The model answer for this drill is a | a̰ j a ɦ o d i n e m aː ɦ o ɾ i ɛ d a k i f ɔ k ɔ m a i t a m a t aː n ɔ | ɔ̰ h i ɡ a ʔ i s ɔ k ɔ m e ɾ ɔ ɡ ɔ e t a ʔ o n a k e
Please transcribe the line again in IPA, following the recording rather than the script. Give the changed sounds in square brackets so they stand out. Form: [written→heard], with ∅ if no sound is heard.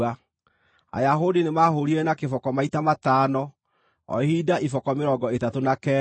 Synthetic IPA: a | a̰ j a ɦ o d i n e m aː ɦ o ɾ i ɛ [d→n] a k [i→e] f ɔ k ɔ m a i t a m a t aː n ɔ | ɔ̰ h i [ɡ→d] a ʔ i [s→f] ɔ k ɔ m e ɾ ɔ ɡ ɔ e t a [ʔ→t] o n a k [e→ɛ]